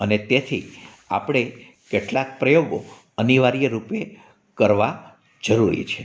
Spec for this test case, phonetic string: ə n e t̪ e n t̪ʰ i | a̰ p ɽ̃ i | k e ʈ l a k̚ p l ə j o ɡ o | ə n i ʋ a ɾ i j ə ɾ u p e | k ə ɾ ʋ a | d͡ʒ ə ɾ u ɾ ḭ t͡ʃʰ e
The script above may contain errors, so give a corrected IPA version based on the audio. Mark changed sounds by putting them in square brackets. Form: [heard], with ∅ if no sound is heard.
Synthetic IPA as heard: ə n e t̪ e [∅] t̪ʰ i | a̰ p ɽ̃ [e] | k e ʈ l a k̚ p [ɾ] ə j o ɡ o | ə n i ʋ a ɾ i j ə ɾ u p e | k ə ɾ ʋ a | d͡ʒ ə ɾ u ɾ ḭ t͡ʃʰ e